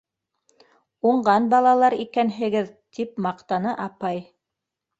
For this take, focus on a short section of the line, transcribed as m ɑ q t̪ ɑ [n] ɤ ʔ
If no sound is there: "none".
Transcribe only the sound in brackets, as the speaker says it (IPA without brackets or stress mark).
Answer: n